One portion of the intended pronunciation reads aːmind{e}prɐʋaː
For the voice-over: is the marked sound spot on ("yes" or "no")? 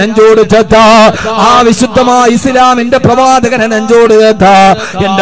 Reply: yes